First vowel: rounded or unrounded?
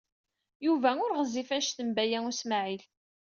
rounded